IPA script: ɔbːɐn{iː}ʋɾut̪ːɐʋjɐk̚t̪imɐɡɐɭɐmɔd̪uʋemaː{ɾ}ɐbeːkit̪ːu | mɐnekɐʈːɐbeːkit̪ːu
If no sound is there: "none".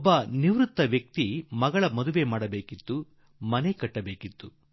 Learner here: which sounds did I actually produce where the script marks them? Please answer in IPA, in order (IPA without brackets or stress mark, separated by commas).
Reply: i, ɽ